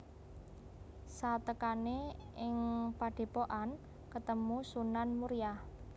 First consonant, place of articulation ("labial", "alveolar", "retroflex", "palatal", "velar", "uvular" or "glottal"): alveolar